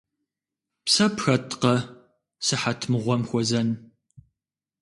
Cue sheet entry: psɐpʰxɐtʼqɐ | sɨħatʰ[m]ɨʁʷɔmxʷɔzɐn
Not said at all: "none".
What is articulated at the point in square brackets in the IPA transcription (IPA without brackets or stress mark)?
m